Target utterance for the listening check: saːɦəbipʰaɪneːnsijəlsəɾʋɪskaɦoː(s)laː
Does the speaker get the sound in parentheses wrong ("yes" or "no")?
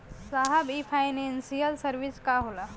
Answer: yes